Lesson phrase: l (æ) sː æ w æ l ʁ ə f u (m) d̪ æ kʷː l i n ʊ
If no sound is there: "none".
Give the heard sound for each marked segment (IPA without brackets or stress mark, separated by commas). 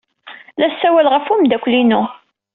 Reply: æ, m